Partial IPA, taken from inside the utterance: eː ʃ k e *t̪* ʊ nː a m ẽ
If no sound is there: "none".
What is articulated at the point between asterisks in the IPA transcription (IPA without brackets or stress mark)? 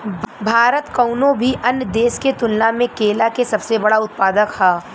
t̪